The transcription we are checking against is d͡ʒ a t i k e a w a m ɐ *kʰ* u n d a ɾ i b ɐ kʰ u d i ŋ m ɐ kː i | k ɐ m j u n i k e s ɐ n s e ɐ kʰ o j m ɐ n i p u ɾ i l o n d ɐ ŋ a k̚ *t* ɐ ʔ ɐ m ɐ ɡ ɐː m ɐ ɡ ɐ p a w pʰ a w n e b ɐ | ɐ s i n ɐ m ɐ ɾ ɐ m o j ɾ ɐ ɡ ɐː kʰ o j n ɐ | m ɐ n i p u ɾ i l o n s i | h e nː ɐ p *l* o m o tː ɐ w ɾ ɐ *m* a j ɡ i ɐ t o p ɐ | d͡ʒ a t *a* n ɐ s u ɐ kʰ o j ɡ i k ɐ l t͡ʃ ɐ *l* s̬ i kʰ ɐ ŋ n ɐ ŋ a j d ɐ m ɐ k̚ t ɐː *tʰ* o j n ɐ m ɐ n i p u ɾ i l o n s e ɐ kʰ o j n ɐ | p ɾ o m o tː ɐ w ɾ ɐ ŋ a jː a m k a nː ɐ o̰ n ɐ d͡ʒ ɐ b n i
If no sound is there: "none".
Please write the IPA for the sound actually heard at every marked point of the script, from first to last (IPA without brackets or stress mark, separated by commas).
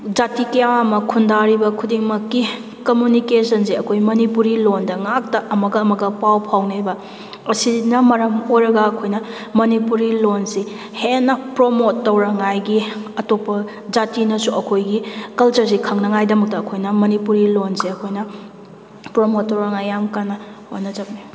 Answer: kʰ, t, ɾ, ŋ, i, ɾ, kʰ